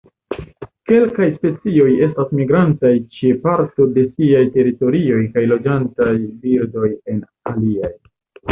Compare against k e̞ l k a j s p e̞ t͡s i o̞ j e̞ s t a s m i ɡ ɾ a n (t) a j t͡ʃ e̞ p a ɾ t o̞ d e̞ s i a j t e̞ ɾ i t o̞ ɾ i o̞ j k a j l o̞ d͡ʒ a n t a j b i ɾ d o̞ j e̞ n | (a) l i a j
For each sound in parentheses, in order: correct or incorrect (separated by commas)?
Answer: correct, correct